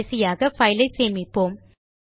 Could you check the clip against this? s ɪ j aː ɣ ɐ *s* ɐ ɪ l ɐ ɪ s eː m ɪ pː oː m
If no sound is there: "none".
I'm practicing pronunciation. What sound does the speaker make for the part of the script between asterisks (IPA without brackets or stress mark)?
f